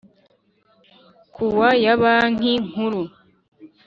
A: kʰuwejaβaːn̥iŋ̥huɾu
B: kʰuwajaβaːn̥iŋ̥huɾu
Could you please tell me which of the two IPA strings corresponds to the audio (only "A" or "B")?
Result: B